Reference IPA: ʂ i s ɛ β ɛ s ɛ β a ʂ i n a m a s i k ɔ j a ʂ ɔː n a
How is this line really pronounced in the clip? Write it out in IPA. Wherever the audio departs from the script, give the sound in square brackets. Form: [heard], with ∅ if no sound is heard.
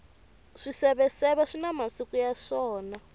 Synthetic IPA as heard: ʂ i s ɛ β ɛ s ɛ β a ʂ i n a m a s i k [u] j a ʂ ɔː n a